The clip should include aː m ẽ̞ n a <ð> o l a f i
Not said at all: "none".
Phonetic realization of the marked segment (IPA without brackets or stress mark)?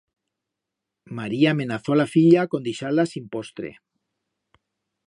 θ